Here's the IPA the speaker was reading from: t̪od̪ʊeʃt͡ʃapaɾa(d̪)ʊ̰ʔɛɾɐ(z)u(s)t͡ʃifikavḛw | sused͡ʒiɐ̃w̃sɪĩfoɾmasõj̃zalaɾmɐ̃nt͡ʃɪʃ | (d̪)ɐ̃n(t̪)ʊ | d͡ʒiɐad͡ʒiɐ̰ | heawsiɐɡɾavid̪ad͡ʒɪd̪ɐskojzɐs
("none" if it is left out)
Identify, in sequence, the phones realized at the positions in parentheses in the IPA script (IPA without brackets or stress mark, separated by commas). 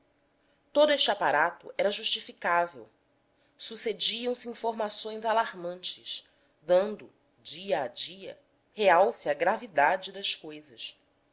t̪, ʒ, ʃ, d̪, d̪